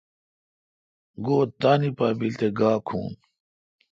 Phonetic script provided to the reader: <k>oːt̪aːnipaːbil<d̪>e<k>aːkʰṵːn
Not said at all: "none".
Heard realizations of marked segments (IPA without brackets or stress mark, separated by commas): ɡ, t̪, ɡ